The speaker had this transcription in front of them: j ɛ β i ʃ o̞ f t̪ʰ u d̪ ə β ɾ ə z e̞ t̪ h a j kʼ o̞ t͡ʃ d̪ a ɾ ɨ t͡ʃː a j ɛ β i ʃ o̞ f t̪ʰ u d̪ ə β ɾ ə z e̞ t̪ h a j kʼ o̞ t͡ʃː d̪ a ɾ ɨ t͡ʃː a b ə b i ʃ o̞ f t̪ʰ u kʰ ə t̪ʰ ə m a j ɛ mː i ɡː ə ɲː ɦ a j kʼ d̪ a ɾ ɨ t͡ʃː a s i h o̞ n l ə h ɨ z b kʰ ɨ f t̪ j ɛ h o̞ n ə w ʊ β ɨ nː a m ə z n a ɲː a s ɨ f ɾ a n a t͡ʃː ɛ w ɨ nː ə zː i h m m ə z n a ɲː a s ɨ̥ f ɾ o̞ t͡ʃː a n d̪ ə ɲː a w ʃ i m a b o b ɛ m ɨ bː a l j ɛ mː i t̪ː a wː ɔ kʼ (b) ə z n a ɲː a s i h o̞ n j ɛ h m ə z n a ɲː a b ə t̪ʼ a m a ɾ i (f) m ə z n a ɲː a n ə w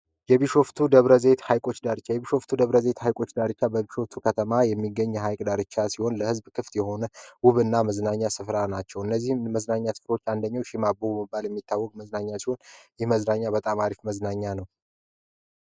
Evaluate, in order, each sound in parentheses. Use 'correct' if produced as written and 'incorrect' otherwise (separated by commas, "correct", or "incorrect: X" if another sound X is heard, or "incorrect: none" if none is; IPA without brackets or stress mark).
incorrect: m, correct